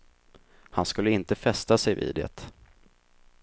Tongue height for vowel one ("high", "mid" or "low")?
low